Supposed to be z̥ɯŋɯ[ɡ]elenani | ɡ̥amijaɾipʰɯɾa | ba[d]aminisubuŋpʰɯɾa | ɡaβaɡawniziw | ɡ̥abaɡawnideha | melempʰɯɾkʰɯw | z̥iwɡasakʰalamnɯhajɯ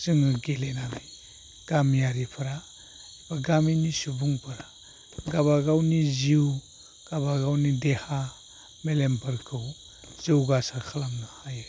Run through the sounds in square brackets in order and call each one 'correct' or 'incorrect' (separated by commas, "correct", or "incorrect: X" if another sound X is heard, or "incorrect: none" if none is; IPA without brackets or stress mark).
correct, incorrect: ɡ